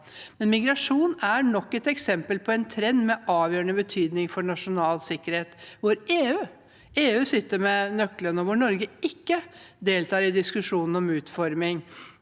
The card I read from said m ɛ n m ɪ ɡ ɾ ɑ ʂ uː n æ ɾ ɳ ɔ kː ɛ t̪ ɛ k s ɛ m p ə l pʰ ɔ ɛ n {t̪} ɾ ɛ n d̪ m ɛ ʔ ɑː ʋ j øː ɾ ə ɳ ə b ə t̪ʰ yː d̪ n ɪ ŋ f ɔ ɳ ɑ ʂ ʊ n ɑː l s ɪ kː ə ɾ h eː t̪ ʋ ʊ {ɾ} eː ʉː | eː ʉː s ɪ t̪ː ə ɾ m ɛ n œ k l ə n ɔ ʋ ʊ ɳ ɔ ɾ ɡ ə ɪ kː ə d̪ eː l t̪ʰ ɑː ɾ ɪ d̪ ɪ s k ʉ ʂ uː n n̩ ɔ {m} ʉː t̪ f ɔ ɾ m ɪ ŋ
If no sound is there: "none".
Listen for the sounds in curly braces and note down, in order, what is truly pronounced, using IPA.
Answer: t̪ʰ, ɾ, m

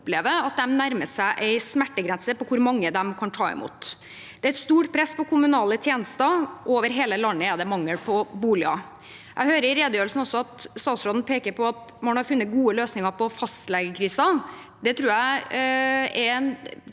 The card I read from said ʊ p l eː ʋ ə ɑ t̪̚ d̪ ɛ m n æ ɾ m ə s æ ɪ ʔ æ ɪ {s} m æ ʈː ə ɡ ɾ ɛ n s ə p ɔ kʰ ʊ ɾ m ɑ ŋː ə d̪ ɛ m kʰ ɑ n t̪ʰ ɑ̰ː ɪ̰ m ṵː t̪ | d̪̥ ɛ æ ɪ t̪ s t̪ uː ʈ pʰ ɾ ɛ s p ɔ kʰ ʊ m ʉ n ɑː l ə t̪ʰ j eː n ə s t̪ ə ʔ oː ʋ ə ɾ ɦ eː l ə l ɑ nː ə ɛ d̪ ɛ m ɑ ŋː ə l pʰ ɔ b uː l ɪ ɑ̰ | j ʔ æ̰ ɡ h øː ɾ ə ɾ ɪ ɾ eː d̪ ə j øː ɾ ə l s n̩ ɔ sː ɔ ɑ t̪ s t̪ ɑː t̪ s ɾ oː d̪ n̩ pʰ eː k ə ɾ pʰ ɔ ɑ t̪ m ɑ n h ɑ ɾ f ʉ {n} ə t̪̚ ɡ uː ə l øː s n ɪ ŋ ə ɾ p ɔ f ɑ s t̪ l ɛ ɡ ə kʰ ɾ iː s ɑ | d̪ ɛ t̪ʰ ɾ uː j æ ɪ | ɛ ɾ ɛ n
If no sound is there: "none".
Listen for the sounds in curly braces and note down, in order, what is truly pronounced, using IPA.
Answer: s, nː

